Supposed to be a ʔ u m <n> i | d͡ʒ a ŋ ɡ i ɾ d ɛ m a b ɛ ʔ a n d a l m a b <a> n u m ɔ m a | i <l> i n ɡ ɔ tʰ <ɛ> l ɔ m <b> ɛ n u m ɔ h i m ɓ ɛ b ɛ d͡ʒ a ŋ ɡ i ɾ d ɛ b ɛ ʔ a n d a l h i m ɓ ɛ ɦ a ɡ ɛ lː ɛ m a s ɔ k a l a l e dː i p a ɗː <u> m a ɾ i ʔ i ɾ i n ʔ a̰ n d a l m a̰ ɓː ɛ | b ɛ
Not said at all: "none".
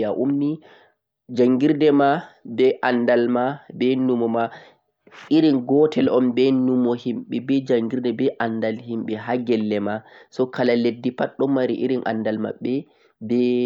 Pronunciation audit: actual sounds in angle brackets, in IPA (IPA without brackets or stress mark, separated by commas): n, ɛ, ɾ, ɛ, b, ɔ